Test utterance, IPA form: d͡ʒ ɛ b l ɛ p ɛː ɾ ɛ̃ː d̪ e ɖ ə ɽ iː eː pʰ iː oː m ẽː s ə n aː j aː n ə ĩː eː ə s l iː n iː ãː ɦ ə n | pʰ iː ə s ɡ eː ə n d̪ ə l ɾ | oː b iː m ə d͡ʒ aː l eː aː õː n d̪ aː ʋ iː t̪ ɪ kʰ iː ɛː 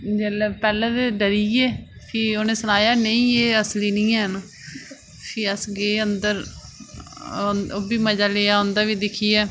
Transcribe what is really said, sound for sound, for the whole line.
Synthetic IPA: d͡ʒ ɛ l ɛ p ɛː l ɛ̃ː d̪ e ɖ ə ɾ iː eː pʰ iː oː n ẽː s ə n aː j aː n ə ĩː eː ə s l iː n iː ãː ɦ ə n | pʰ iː ə s ɡ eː ə n d̪ ə ɾ | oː b iː m ə d͡ʒ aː l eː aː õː n d̪ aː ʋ iː d̪ ɪ kʰ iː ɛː